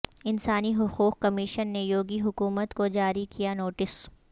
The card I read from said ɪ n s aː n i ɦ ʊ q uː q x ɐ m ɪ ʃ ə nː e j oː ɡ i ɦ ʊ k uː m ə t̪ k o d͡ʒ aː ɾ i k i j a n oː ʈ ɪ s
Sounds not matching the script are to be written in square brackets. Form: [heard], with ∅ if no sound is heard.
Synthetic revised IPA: ɪ n s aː n i ɦ ʊ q uː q [k] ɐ m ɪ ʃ ə nː e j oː ɡ i ɦ ʊ k uː m ə t̪ k o d͡ʒ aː ɾ i k i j a n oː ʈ ɪ s